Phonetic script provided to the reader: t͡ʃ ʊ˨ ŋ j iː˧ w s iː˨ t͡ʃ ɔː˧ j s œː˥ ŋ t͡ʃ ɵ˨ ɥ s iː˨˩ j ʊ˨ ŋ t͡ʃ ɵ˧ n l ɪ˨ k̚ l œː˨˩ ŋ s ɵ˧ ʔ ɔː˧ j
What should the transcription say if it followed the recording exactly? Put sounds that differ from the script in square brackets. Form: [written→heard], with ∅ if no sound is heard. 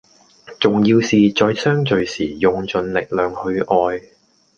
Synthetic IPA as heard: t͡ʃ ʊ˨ ŋ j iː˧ w s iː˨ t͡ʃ ɔː˧ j s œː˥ ŋ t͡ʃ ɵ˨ ɥ s iː˨˩ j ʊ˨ ŋ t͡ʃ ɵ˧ n l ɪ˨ k̚ l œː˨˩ ŋ [s→h] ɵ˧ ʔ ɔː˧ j